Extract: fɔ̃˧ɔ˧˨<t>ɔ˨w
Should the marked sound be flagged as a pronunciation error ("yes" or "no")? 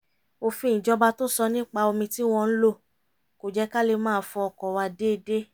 yes